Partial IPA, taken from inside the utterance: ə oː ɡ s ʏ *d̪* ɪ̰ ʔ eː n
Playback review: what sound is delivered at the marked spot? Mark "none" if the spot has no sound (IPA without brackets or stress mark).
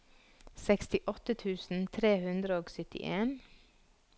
t̪